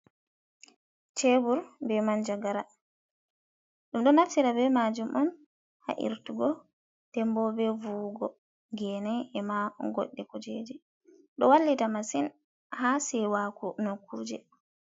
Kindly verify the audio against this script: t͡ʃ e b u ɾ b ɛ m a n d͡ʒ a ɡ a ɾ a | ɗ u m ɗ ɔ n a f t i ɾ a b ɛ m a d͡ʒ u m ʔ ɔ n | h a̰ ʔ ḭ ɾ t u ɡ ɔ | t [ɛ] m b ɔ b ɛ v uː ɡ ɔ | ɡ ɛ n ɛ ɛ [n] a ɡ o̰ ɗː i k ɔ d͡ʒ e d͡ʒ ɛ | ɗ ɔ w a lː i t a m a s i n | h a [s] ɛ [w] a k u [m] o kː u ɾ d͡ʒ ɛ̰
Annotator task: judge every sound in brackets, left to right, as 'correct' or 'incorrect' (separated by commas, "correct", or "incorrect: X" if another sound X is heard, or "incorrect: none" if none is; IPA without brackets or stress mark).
correct, incorrect: m, correct, correct, incorrect: n